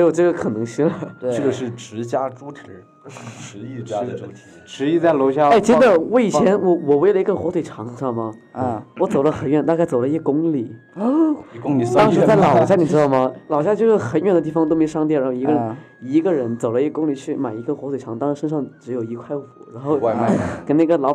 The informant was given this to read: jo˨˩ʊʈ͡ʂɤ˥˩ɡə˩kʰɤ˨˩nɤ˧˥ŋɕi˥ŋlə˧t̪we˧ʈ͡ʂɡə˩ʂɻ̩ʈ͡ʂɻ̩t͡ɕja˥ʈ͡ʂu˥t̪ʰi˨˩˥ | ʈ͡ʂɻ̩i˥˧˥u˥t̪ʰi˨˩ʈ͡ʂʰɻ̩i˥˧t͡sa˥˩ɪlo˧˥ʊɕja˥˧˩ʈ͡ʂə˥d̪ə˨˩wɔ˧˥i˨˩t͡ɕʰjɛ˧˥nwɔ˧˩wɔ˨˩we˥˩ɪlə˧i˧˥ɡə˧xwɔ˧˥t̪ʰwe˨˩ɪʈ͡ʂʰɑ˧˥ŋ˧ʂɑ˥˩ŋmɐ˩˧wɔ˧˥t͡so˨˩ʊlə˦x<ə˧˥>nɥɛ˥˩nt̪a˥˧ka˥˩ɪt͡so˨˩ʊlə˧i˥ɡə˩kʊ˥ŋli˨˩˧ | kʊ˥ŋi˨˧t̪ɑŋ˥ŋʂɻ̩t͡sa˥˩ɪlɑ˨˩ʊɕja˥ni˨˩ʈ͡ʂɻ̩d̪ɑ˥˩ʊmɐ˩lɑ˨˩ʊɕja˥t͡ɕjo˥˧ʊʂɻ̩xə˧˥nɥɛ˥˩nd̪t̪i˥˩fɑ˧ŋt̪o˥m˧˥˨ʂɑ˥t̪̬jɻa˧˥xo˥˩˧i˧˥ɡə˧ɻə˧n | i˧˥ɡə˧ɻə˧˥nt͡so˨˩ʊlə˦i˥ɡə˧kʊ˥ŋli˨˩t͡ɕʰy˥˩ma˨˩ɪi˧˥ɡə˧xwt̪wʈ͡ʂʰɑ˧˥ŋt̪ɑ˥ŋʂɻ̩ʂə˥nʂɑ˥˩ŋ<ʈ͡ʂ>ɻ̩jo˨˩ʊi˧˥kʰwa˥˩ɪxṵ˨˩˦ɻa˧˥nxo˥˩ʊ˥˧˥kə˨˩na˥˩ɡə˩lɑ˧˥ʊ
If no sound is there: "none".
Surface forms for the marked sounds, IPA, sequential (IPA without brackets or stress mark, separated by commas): ə˨˩, ʈ͡ʂ